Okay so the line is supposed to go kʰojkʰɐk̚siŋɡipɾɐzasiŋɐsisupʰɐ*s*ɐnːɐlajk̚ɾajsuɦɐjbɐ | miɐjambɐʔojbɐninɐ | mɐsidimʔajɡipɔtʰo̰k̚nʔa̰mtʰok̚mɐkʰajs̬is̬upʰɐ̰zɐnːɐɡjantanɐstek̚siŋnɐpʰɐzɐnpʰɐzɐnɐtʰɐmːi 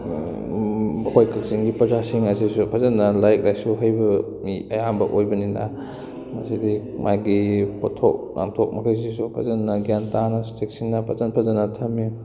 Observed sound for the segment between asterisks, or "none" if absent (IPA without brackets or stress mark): z